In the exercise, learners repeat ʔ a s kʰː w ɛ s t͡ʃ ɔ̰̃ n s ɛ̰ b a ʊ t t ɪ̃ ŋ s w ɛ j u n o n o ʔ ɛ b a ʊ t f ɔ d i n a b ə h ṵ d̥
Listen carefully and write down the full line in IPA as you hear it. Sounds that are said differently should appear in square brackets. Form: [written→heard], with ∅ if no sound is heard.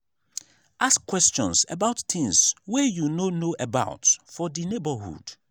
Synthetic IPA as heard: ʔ a s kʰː w ɛ s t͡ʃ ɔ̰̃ n s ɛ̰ b a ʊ t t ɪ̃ ŋ s w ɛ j u n o n o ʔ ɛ b a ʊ t f ɔ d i n [a→e] b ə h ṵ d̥

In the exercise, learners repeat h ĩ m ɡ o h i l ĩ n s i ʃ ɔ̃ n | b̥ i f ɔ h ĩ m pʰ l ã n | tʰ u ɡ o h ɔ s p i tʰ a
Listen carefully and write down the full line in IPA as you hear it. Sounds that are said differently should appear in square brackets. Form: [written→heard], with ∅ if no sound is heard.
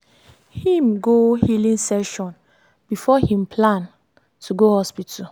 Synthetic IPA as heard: h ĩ m ɡ o h i l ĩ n s [i→ɛ] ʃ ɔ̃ n | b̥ i f ɔ h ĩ m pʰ l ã n | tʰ u ɡ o h ɔ s p i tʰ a

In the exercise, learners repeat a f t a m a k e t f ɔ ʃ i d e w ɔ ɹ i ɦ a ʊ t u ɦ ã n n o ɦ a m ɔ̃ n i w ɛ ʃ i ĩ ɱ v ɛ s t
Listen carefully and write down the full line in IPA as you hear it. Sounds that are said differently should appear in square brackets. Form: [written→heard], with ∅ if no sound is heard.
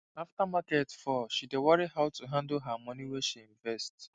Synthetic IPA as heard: a f t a m a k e t f ɔ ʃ i d e w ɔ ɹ i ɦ a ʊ t u ɦ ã n [n→d] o ɦ a m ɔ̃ n i w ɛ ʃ i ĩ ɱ v ɛ s t

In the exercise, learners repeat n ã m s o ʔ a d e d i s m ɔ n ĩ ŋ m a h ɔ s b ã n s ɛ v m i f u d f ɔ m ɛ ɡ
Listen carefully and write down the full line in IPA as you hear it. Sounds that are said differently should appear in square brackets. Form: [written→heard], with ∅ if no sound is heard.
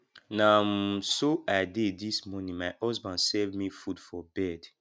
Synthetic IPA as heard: n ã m s o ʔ a d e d i s m ɔ n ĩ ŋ m a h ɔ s b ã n s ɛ v m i f u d f ɔ [m→b] ɛ [ɡ→d]

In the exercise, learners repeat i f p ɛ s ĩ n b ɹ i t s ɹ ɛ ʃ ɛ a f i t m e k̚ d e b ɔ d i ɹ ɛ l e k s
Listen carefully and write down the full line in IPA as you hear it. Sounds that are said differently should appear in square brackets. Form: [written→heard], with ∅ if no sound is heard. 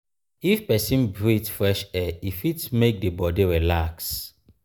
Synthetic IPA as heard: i f p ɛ s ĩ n b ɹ i t [s→f] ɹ ɛ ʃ ɛ [a→i] f i t m e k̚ d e b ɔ d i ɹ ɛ l [e→a] k s

